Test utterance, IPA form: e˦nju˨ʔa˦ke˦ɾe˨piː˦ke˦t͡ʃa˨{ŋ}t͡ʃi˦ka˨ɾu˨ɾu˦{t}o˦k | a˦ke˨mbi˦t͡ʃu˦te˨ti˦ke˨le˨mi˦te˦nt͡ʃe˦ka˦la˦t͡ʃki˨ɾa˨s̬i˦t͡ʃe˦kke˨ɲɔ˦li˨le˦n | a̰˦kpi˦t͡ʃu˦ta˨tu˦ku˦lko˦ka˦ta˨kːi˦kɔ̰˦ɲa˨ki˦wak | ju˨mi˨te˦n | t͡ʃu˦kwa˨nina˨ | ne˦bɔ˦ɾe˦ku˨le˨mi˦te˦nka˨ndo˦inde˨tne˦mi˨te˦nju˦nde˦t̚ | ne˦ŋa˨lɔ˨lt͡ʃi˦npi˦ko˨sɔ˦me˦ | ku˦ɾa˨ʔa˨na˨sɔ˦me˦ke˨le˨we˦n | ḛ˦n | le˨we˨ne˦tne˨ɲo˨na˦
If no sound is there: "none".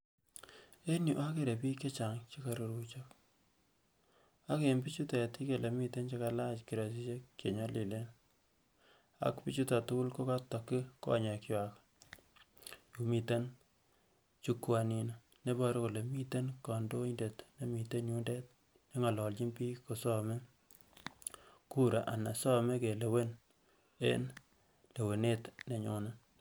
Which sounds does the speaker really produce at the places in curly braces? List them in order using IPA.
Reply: ŋ, t͡ʃ

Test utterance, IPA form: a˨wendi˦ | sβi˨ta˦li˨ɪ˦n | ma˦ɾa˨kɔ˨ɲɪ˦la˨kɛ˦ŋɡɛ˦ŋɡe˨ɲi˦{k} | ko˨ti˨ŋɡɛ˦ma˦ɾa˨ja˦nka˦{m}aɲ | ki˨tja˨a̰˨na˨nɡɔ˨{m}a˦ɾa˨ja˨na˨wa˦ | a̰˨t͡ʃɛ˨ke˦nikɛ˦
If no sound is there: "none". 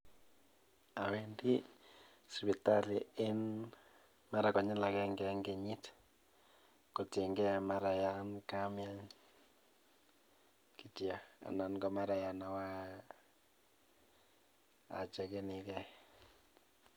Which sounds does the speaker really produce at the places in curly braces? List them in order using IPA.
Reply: t, m, m

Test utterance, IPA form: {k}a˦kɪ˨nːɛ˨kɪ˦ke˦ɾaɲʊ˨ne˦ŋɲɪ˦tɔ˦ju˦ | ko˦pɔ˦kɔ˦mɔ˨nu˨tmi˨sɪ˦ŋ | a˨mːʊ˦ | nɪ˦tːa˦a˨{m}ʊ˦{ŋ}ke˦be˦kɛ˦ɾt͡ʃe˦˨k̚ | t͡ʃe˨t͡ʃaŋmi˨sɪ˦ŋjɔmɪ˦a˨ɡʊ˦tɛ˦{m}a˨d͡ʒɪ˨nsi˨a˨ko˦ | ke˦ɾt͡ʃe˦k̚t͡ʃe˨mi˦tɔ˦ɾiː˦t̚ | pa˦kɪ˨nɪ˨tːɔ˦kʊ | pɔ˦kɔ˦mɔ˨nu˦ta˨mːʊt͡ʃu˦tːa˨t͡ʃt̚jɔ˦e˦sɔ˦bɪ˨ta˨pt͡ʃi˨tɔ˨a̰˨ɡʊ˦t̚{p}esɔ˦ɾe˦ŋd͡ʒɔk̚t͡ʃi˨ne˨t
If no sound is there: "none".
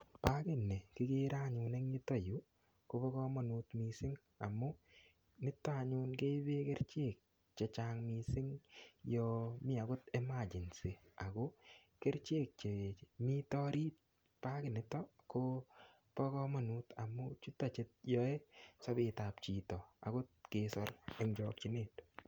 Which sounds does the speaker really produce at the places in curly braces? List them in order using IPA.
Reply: p, ɲ, n, m, k

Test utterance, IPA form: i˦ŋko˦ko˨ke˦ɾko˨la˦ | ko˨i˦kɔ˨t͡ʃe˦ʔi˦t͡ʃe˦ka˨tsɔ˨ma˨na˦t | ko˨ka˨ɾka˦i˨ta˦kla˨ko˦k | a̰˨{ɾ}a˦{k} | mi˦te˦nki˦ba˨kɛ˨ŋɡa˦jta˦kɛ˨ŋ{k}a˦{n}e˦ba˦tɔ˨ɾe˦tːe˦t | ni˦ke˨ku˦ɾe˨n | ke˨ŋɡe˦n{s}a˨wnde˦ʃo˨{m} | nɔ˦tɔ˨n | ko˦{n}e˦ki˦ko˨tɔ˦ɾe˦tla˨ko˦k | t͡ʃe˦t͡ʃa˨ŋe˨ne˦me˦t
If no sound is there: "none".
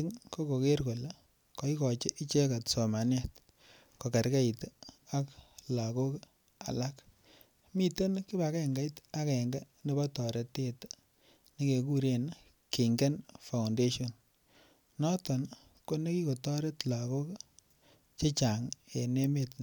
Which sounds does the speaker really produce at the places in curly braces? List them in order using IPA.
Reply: l, k, ɡ, n, f, n, n

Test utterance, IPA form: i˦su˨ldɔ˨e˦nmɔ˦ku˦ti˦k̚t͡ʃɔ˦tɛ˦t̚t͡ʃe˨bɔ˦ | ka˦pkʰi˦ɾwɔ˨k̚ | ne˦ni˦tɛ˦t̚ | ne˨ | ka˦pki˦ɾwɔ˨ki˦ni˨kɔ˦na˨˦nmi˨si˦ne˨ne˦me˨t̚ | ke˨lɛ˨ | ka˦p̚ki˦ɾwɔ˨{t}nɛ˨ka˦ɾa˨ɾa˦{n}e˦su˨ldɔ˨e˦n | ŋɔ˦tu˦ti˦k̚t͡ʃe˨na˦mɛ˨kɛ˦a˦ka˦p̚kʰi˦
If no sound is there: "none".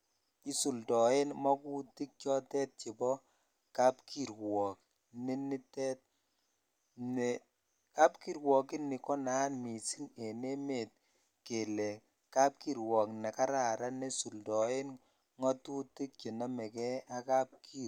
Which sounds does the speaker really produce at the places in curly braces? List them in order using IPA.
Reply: k, n

